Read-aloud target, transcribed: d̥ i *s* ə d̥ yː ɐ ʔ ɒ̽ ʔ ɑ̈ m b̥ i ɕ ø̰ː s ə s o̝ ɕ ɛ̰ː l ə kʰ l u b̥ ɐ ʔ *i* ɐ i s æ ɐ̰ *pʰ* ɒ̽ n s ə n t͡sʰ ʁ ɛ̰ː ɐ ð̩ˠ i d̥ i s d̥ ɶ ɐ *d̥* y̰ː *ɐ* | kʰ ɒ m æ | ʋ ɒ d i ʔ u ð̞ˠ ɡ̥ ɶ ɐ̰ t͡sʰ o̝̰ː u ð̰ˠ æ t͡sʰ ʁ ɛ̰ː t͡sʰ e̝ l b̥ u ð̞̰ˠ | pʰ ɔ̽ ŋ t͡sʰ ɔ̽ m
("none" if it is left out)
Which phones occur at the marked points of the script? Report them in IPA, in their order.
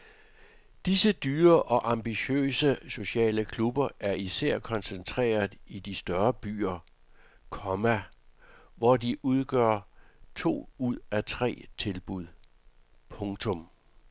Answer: s, æ, kʰ, b̥, ɐ

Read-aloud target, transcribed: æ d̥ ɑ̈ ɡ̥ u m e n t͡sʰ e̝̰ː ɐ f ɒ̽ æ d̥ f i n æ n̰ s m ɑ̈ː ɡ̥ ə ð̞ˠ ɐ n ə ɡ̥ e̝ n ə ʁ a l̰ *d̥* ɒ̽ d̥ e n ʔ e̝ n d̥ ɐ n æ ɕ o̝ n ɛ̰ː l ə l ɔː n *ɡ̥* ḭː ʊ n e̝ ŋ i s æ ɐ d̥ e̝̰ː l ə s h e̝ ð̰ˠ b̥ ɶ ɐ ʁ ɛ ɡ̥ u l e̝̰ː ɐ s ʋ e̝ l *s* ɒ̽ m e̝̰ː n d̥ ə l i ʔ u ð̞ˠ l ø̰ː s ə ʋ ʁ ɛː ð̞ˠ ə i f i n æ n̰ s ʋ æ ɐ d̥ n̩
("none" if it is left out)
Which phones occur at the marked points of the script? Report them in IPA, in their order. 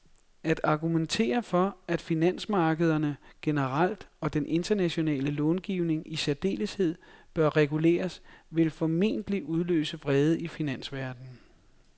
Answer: d̥, ɡ̥, f

